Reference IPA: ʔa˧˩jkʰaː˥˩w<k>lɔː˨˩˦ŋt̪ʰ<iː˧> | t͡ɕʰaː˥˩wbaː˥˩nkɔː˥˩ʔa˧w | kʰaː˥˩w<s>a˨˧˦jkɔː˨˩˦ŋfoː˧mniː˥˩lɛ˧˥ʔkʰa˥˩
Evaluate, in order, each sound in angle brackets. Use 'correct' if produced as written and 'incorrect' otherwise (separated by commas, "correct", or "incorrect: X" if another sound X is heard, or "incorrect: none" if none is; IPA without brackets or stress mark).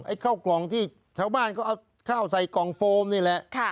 correct, incorrect: iː˥˩, correct